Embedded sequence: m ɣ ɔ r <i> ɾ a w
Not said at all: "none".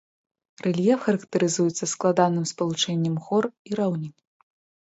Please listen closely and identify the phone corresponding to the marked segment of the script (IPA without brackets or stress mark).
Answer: i